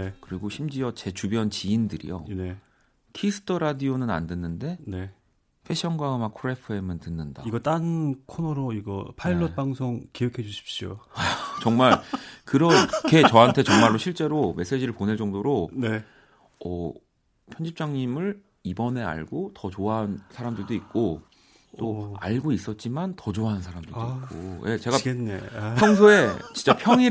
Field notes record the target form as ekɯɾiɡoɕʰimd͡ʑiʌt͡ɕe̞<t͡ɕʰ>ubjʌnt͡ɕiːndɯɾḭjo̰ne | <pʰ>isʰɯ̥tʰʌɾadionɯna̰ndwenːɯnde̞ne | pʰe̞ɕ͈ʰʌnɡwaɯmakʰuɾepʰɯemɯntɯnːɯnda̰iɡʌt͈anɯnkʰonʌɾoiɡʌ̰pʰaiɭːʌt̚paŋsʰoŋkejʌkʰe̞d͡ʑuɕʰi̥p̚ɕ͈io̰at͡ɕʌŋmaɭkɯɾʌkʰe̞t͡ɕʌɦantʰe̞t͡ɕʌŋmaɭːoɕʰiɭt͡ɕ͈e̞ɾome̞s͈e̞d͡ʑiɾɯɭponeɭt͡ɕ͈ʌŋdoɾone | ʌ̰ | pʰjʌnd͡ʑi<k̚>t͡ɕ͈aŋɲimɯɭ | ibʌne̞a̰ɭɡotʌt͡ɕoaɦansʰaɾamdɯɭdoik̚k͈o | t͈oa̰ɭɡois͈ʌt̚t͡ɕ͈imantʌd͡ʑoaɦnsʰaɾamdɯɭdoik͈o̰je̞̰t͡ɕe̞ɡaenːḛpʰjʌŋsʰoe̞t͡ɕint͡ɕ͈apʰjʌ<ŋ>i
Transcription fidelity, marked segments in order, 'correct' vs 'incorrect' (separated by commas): incorrect, incorrect, incorrect, correct